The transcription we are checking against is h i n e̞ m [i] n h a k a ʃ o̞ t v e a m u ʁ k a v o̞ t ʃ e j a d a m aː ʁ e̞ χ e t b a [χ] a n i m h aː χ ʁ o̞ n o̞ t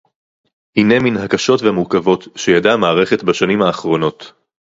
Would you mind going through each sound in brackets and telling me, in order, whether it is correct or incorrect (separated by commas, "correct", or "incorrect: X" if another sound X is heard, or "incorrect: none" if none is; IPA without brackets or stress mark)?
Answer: correct, incorrect: ʃ